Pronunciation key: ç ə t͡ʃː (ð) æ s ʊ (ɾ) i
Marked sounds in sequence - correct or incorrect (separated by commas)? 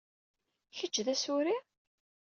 correct, correct